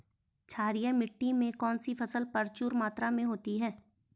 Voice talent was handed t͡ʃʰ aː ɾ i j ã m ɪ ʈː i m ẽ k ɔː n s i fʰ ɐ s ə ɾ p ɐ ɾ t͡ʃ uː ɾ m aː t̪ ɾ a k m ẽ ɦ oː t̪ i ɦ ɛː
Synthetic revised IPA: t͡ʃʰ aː ɾ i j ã m ɪ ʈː i m ẽ k ɔː n s i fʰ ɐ s ə l p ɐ ɾ t͡ʃ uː ɾ m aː t̪ ɾ a m ẽ ɦ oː t̪ i ɦ ɛː